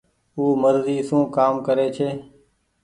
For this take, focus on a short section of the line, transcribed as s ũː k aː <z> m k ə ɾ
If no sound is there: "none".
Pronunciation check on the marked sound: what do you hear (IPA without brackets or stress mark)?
none